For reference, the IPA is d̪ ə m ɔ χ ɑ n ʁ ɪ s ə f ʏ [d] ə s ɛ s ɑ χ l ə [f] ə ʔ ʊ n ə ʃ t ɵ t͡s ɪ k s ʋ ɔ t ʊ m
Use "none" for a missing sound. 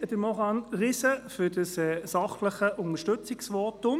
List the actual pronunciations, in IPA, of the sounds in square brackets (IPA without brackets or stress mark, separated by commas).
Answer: d, χ